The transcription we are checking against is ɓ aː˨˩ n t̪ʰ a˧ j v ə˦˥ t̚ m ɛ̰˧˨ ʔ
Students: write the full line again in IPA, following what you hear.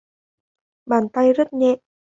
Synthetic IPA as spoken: ɓ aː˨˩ n t̪ a˧ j z ə˦˥ t̚ ɲ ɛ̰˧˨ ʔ